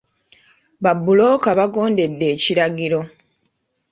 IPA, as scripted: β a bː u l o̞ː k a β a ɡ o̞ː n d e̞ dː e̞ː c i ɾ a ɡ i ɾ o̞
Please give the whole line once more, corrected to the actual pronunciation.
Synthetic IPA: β a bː u l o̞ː k a β a ɡ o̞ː n d e̞ dː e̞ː c i ɾ a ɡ i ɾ o̞